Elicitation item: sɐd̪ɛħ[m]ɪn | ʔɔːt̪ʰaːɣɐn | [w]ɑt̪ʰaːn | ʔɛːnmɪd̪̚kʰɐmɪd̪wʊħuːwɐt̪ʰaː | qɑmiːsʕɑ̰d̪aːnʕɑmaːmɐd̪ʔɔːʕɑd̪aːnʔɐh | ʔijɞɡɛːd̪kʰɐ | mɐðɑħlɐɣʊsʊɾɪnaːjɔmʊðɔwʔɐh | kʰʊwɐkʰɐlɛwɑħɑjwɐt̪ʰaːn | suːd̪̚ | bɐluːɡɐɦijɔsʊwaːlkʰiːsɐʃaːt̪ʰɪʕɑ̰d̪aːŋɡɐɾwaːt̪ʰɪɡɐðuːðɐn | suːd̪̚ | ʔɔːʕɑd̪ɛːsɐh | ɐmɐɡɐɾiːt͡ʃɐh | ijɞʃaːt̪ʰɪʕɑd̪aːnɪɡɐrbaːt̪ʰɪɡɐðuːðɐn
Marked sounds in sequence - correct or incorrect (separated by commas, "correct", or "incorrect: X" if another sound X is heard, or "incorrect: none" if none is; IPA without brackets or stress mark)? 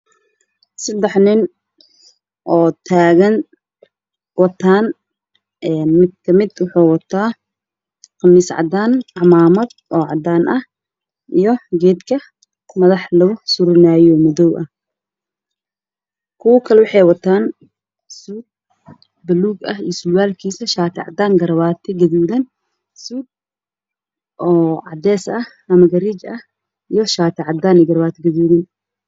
incorrect: n, correct